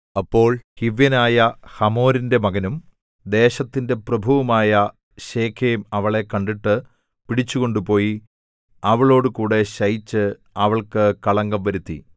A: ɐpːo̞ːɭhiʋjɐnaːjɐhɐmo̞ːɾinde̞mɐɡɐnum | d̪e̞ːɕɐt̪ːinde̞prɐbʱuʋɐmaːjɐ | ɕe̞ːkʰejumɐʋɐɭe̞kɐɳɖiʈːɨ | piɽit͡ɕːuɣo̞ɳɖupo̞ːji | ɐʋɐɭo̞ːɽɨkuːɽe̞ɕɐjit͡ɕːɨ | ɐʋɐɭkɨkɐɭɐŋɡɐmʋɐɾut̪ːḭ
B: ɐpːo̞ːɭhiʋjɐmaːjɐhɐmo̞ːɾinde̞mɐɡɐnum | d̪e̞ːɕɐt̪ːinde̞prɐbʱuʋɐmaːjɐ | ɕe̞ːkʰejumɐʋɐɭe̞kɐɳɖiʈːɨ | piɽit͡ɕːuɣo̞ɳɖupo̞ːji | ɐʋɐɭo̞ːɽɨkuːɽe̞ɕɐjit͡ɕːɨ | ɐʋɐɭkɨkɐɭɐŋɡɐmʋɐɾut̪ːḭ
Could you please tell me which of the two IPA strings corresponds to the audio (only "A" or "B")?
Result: A